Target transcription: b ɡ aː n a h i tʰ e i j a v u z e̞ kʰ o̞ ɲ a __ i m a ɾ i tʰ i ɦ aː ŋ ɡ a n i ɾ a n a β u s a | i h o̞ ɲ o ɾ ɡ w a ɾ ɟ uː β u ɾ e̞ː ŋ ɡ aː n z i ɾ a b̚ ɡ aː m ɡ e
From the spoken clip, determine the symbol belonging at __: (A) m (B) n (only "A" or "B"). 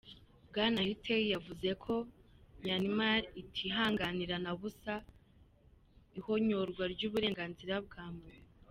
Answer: B